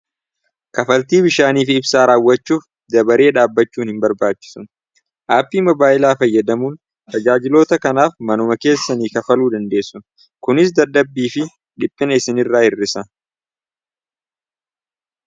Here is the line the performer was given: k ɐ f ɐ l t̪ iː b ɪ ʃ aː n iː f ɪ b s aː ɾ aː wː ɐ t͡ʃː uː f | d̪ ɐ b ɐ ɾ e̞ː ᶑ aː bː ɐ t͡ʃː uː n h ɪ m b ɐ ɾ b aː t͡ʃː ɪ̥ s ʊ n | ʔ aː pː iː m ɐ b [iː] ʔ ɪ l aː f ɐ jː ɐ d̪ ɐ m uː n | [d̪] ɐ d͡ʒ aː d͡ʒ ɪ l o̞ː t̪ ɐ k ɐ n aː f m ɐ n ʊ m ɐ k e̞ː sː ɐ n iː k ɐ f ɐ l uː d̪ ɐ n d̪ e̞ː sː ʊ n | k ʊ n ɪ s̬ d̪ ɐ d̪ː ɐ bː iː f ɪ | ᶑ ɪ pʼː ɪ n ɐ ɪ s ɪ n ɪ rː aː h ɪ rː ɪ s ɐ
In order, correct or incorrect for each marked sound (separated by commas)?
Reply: incorrect, incorrect